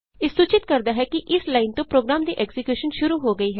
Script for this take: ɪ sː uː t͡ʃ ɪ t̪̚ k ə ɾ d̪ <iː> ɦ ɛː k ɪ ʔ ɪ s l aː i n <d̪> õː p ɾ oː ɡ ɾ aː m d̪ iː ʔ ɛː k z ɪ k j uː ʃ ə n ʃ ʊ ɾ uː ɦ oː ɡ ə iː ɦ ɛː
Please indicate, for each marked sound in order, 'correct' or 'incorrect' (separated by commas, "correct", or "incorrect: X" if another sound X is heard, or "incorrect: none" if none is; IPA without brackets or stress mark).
incorrect: aː, incorrect: t̪